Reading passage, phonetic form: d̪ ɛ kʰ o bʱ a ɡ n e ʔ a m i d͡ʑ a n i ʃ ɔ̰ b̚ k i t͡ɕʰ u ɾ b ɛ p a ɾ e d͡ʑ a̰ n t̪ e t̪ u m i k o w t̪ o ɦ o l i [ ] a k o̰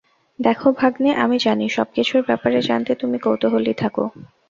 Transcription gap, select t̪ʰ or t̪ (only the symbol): t̪ʰ